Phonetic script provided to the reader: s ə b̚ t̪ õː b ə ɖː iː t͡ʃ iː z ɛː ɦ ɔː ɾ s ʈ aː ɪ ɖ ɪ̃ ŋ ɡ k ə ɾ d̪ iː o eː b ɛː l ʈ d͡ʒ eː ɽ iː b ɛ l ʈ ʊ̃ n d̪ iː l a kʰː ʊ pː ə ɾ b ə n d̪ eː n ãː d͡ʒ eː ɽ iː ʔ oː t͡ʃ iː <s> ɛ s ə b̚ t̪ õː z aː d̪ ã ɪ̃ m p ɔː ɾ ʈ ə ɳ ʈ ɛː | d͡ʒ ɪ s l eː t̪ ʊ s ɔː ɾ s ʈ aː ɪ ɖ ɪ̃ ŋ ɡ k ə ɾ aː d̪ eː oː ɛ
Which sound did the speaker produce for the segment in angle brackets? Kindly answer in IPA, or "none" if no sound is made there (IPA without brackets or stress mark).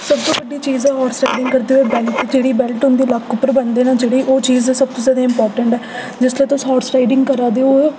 z